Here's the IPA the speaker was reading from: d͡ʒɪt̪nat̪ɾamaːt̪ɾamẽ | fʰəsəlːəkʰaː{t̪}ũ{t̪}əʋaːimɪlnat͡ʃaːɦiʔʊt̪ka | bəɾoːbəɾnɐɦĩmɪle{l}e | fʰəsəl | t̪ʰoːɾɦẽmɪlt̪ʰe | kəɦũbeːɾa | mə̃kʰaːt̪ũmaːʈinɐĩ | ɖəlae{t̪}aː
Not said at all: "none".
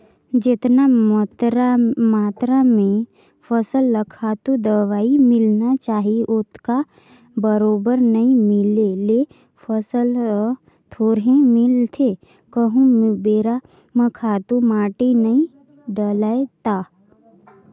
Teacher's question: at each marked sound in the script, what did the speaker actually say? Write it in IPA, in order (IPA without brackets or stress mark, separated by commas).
t̪, d̪, l, t̪